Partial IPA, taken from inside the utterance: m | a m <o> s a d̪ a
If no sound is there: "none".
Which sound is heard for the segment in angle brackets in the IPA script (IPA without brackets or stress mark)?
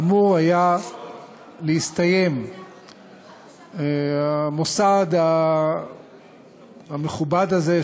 o